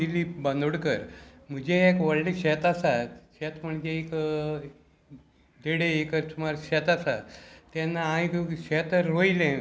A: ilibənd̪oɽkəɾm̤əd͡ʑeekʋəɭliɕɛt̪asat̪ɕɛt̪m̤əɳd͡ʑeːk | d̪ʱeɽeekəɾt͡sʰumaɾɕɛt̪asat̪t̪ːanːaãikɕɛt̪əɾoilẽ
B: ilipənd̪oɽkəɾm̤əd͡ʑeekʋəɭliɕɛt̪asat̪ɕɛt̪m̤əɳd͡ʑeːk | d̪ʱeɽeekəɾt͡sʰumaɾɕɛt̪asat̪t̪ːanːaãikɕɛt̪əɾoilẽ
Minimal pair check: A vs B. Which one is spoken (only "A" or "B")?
A